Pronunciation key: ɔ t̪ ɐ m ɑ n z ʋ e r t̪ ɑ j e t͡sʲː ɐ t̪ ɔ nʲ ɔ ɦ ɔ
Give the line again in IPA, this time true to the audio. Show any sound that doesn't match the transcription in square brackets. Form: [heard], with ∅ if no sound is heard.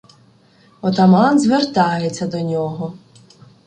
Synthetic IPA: ɔ t̪ ɐ m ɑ n z ʋ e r t̪ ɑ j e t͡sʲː ɐ [d̪] ɔ nʲ ɔ ɦ ɔ